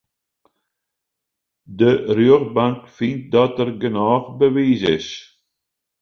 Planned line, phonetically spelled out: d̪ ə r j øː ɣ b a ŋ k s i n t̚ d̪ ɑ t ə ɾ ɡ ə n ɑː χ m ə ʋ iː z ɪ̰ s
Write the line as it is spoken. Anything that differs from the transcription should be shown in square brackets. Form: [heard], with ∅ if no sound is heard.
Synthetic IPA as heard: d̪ ə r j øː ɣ b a ŋ k [f] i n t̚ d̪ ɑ t ə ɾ ɡ ə n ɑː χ [b] ə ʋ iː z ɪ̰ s